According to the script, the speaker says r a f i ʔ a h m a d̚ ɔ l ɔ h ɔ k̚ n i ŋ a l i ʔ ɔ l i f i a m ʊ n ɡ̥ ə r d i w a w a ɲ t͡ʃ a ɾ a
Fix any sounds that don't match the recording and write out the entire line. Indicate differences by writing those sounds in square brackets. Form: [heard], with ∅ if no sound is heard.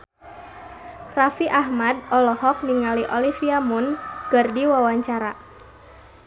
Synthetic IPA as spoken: r a f i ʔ a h m a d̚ ɔ l ɔ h ɔ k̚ n i ŋ a l i ʔ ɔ l i f i a m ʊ n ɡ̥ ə r d i w a w a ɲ t͡ʃ a ɾ a